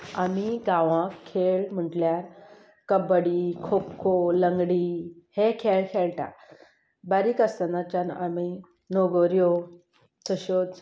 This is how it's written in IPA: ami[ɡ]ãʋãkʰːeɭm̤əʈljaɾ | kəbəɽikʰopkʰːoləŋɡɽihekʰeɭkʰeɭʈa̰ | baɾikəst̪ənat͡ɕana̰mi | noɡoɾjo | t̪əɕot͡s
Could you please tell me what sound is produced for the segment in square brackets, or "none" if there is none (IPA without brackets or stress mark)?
ɡ